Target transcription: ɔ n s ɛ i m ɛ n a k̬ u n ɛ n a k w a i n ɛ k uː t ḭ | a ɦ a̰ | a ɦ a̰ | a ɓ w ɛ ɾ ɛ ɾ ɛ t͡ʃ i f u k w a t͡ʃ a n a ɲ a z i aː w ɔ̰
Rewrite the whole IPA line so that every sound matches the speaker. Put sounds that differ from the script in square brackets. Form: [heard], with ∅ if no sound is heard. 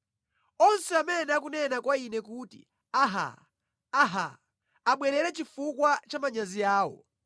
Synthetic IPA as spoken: ɔ n s ɛ [a] m ɛ n a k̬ u n ɛ n a k w a i n ɛ k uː t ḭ | a ɦ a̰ | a ɦ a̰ | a ɓ w ɛ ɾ ɛ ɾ ɛ t͡ʃ i f u k w a t͡ʃ a [m] a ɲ a z i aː w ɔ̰